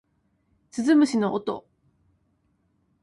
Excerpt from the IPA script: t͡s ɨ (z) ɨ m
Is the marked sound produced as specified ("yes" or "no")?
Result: yes